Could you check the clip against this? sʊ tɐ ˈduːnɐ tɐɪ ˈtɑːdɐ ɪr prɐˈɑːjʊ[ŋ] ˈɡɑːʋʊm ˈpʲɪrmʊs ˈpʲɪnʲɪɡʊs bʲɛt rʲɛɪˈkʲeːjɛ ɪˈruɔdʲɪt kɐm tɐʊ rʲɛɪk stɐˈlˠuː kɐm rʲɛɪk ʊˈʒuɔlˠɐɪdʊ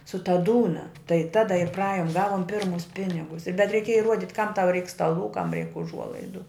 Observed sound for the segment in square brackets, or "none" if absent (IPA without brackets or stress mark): m